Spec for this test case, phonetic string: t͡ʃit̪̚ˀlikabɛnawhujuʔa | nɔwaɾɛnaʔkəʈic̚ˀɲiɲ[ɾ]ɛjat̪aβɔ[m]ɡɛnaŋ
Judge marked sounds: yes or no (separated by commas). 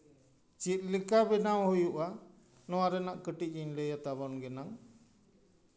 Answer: no, no